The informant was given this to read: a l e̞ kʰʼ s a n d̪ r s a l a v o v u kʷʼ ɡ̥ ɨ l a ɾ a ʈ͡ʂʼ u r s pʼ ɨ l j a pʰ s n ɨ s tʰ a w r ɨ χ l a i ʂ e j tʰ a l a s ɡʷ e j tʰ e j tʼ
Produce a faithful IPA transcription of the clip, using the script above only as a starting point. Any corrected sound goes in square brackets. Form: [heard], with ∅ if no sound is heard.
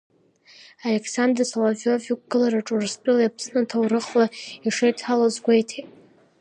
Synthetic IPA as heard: a l e̞ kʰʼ s a n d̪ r s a l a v o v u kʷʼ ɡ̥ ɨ l a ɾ a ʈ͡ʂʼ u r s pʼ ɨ l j a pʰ s n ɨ [∅] tʰ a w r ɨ χ l a i ʂ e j tʰ a l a [z] ɡʷ e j tʰ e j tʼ